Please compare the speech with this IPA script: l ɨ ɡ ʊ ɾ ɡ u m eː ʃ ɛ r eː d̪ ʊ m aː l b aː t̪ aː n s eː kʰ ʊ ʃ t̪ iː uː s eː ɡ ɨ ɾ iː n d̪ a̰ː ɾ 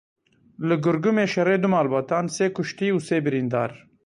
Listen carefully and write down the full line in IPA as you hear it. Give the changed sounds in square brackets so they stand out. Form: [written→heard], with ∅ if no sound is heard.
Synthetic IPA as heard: l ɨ ɡ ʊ ɾ ɡ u m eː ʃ ɛ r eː d̪ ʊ m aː l b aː t̪ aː n s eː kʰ ʊ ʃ t̪ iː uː s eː [ɡ→b] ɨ ɾ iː n d̪ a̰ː ɾ

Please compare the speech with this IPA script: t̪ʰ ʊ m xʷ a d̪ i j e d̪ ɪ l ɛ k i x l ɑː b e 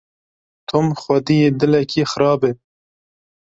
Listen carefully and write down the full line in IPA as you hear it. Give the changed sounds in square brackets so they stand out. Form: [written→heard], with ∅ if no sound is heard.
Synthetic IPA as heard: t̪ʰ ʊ m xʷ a d̪ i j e d̪ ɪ l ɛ k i x [l→ɾ] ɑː b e

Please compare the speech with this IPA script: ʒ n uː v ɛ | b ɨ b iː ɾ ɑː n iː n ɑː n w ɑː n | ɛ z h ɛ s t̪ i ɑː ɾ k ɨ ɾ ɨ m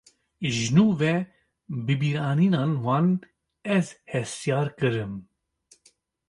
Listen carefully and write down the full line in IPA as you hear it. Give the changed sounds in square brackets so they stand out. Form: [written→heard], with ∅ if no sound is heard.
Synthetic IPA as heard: ʒ n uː v ɛ | b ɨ b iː ɾ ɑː n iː n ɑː n w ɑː n | ɛ z h ɛ s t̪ [i→j] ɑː ɾ k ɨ ɾ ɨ m

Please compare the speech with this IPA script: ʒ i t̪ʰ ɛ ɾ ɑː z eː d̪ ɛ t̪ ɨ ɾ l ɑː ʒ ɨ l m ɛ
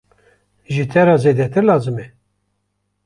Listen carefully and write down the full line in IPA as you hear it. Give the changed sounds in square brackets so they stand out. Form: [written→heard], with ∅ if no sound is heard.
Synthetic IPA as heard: ʒ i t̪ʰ ɛ ɾ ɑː z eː d̪ ɛ t̪ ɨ ɾ l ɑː [ʒ→z] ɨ [l→∅] m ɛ

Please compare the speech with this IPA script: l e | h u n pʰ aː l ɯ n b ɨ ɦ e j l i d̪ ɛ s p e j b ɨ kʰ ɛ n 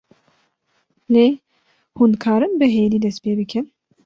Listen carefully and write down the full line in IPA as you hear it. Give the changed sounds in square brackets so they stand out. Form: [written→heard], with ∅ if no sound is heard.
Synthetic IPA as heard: l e | h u n [pʰ→kʰ] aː [l→ɾ] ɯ n b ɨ ɦ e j l i d̪ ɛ s p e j b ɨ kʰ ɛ n

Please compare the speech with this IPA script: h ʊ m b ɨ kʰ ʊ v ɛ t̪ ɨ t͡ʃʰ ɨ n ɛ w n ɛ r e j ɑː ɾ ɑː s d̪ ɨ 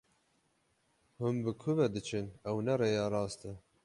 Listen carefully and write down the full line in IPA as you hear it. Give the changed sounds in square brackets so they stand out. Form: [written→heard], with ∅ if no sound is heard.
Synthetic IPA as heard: h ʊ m b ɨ kʰ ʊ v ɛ [t̪→d̪] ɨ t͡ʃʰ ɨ n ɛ w n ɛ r e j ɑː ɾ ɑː s [d̪→t̪] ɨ

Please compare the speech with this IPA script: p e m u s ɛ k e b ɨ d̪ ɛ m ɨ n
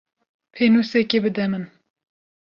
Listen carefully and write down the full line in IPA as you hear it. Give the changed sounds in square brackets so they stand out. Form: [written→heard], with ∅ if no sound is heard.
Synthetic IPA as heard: [p→pʰ] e [m→n] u s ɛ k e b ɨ d̪ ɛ m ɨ n

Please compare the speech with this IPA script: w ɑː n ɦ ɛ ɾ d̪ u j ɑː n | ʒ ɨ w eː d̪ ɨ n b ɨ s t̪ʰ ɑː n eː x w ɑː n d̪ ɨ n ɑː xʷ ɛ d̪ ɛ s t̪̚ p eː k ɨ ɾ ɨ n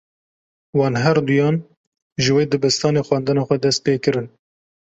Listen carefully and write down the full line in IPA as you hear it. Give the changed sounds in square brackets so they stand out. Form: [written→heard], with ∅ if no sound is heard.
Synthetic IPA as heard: w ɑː n ɦ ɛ ɾ d̪ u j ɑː n | ʒ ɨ w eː d̪ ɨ [n→∅] b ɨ s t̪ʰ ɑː n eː x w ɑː n d̪ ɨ n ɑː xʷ ɛ d̪ ɛ s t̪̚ p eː k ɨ ɾ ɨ n

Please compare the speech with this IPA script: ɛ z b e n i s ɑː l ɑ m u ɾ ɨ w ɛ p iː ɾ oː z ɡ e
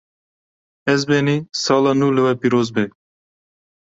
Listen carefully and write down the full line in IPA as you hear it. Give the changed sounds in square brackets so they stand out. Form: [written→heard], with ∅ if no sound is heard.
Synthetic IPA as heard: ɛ z b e n i s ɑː l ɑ [m→n] u [ɾ→l] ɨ w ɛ p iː ɾ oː z [ɡ→b] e

